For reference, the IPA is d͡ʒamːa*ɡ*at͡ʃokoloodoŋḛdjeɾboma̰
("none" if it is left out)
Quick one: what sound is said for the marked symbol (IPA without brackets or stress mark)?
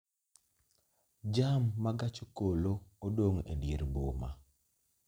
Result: ɡ